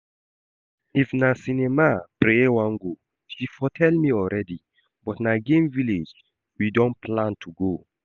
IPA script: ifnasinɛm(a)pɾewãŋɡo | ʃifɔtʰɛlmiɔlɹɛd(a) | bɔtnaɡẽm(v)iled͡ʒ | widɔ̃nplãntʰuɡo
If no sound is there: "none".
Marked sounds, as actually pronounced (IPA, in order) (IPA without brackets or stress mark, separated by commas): a, i, v